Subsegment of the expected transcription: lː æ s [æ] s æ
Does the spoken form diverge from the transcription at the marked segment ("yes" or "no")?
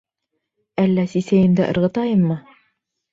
yes